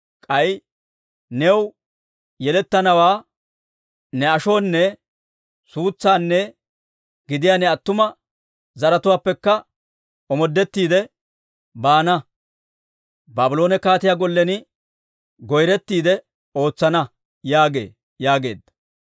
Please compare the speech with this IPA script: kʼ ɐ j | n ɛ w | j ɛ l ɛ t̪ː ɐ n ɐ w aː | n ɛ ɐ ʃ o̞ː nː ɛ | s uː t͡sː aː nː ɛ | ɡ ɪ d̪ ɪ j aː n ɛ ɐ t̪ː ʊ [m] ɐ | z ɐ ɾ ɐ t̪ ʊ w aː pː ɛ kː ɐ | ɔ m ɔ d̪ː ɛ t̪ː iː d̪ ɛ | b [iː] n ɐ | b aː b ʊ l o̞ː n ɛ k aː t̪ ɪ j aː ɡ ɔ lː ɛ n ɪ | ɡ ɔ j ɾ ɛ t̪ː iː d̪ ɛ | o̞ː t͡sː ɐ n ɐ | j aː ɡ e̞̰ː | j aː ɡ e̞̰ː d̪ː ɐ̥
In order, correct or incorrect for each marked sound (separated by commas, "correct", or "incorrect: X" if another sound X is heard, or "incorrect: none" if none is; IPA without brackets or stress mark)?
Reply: correct, incorrect: aː